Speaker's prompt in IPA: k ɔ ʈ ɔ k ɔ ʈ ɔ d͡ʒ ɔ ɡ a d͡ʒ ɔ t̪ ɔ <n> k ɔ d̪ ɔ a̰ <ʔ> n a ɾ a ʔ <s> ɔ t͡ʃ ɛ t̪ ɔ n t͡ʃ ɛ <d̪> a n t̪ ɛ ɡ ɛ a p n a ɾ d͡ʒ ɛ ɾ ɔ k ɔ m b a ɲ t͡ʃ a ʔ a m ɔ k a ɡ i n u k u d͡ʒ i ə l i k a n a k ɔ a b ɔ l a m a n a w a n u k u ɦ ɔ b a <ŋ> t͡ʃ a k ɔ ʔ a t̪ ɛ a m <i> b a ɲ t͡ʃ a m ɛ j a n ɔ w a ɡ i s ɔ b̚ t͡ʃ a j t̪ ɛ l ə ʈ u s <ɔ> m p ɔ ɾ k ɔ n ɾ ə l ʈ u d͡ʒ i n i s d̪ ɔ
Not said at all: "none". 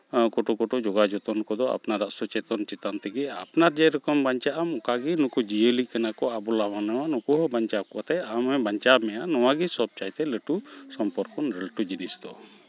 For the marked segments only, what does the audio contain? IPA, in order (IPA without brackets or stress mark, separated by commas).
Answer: n, p, s, t̪, ɲ, ɛ, ɔ